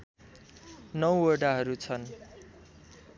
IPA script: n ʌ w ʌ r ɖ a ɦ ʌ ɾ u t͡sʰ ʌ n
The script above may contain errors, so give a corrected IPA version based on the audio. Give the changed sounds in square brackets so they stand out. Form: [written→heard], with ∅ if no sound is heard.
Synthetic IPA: n ʌ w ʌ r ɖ a ɦ ʌ ɾ u t͡sʰ ʌ n